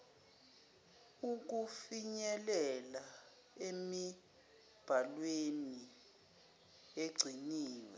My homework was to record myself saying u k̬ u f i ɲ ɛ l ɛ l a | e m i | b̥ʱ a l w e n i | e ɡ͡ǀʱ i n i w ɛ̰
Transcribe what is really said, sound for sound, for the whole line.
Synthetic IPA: u k̬ u f i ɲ ɛ l ɛ l a | e m i | b̥ʱ a l w e n i | e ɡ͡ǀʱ i n iː w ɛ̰